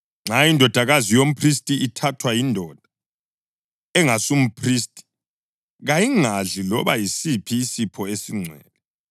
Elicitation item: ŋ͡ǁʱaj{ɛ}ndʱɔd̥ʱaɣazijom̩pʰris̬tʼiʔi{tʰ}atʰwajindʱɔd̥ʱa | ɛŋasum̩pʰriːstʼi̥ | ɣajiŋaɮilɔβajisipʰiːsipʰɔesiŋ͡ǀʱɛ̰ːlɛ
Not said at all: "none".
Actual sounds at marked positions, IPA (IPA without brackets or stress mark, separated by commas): i, tʰ